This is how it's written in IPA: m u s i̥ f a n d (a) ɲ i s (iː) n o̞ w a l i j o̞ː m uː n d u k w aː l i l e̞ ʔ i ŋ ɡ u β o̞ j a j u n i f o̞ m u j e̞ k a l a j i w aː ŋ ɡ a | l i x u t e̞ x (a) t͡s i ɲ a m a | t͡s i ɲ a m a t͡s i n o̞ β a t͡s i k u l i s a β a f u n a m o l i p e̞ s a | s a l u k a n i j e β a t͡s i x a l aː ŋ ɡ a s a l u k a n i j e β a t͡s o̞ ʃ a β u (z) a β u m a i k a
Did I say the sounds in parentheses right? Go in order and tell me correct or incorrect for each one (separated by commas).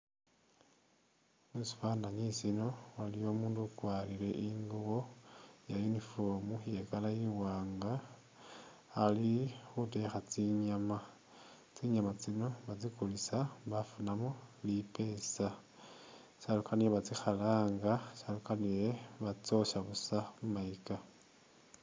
correct, incorrect, correct, incorrect